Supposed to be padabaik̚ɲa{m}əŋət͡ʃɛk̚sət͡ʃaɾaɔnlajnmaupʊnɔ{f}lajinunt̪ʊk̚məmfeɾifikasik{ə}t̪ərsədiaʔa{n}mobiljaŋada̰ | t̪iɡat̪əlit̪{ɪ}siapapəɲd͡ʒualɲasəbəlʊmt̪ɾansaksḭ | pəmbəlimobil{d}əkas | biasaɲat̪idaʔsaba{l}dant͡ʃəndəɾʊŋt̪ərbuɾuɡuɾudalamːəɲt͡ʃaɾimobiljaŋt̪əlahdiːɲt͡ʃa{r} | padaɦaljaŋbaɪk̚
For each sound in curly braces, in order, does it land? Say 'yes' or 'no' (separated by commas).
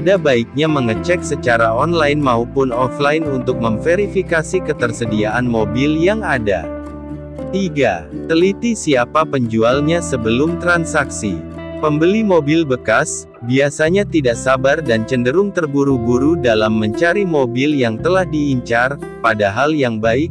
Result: yes, yes, yes, yes, no, no, no, yes